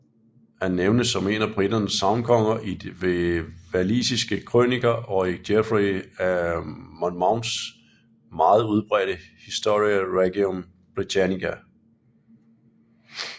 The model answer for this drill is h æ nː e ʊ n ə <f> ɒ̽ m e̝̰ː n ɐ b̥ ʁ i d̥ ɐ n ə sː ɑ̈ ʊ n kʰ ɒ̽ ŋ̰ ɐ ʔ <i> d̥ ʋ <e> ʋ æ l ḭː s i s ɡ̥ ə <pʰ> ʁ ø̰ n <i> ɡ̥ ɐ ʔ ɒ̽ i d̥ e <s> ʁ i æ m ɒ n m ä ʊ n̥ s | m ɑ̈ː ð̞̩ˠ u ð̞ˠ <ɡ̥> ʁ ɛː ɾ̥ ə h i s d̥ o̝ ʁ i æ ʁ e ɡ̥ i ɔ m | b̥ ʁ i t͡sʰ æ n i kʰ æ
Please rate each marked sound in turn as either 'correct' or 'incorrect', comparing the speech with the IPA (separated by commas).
incorrect, correct, correct, incorrect, correct, incorrect, incorrect